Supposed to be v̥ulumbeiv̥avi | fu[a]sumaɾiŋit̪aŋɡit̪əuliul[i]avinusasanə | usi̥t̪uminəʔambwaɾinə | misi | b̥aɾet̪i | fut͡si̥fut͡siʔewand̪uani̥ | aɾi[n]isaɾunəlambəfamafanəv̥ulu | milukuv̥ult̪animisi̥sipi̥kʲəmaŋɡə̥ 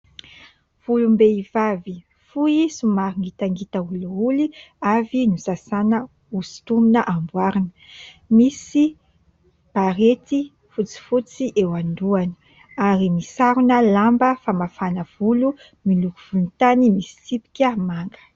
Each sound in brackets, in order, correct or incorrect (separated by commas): incorrect, correct, incorrect